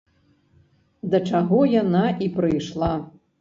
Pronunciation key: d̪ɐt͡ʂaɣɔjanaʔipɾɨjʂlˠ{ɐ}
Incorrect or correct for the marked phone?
incorrect: a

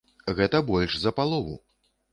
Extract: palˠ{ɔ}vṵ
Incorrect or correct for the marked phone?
correct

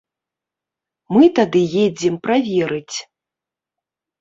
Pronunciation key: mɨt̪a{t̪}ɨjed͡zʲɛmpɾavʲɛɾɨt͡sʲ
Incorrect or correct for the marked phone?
incorrect: d̪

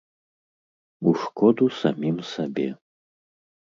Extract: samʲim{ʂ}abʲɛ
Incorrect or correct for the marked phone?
incorrect: s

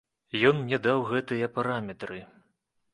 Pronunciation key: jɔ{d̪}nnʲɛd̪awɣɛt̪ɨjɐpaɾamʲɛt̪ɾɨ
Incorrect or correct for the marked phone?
incorrect: none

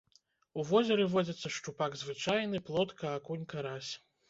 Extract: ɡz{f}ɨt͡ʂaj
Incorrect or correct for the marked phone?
incorrect: v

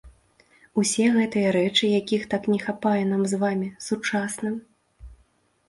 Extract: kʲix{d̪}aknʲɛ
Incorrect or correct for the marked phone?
incorrect: t̪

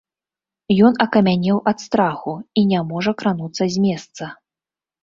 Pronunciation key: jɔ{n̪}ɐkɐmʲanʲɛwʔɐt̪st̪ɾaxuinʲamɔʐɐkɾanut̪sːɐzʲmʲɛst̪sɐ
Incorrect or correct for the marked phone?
correct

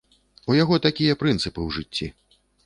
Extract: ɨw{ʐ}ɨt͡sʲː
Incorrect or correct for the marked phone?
correct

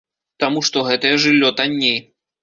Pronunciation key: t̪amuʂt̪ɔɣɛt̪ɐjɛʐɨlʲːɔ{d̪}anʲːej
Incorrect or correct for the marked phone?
incorrect: t̪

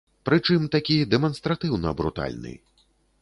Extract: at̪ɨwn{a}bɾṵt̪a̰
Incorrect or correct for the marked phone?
incorrect: ɐ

